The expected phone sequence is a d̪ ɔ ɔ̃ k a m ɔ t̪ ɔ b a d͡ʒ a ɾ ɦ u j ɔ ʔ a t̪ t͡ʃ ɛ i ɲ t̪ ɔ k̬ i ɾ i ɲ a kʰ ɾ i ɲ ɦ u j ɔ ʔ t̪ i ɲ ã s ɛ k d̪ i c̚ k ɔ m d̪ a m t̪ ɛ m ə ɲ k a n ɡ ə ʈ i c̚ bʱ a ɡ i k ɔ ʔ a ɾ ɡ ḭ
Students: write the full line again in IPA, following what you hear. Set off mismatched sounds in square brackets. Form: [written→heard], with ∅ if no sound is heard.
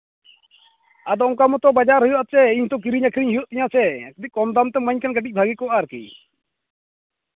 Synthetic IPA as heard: a d̪ ɔ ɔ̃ k a m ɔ t̪ ɔ b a d͡ʒ a ɾ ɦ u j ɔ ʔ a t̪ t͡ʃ ɛ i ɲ t̪ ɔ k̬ i ɾ i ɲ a kʰ ɾ i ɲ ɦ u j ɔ ʔ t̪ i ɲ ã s ɛ k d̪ i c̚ k ɔ m d̪ a m t̪ ɛ m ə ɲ k a n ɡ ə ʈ i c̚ bʱ a ɡ i k ɔ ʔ a ɾ [ɡ→k] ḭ